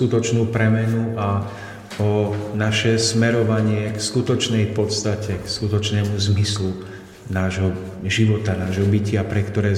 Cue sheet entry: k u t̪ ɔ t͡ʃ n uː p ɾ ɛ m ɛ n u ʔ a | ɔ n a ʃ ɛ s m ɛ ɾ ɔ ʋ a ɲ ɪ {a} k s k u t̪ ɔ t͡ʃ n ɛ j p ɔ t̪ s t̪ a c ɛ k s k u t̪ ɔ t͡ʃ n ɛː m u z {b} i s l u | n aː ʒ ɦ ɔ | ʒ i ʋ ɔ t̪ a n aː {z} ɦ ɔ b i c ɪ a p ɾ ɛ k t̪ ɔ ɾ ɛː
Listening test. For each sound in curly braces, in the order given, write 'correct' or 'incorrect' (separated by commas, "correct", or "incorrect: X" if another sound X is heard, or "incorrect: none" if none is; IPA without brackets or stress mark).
incorrect: ɛ, incorrect: m, incorrect: ʒ